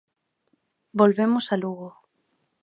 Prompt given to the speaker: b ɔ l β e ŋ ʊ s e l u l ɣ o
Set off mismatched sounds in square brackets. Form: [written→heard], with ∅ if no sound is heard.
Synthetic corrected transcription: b [ɔ→o] l β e [ŋ→m] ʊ s [e→a] l u [l→∅] ɣ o